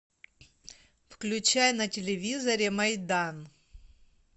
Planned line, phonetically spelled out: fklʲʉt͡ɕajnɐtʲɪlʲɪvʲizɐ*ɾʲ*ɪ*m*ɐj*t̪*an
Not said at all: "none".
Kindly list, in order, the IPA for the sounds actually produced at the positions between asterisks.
ɾʲ, m, d̪

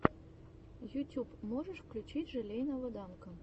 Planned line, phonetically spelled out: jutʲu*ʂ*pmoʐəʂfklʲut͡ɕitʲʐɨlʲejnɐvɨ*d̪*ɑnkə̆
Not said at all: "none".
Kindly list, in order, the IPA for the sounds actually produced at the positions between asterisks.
none, d̪

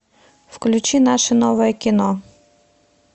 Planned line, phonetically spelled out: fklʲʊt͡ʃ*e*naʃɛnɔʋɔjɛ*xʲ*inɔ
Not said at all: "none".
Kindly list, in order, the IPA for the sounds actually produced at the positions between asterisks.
i, kʲ

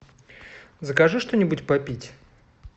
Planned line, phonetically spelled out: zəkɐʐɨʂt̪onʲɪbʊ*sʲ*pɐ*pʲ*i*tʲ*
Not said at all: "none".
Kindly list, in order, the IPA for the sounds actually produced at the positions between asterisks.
tʲ, pʲ, tʲ

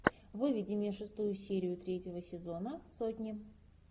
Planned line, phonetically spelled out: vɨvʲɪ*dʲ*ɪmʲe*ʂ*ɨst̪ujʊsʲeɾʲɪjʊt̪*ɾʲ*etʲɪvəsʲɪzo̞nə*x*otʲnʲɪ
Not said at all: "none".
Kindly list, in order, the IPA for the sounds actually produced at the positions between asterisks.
dʲ, ʂ, ɾʲ, s

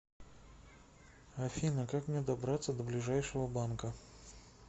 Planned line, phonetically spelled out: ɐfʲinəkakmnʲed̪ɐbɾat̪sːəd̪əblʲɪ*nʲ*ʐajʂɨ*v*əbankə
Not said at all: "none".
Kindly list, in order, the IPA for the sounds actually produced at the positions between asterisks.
none, v

